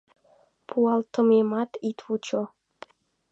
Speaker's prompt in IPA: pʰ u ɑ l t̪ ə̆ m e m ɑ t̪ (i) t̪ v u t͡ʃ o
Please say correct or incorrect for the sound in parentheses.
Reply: correct